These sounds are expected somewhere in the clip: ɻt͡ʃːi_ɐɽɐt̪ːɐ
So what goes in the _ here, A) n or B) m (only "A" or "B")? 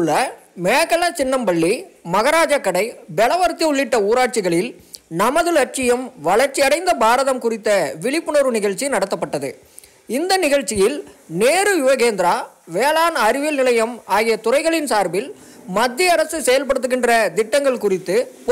A